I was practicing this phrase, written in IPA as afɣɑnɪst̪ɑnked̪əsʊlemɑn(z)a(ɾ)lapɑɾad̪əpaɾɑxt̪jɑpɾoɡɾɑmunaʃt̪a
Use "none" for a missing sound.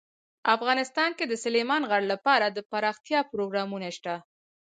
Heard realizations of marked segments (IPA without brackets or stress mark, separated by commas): ɣ, ɽ